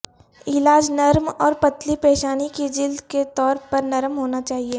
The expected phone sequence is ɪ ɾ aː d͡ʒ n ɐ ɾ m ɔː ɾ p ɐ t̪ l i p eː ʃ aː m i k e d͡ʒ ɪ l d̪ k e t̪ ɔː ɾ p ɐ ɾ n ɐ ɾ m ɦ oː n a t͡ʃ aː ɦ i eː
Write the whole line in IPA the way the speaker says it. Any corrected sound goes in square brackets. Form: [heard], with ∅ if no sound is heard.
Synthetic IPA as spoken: ɪ [l] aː d͡ʒ n ɐ ɾ m ɔː ɾ p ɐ t̪ l i p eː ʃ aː [n] i k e d͡ʒ ɪ l d̪ k e t̪ ɔː ɾ p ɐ ɾ n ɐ ɾ m ɦ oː n a t͡ʃ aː ɦ i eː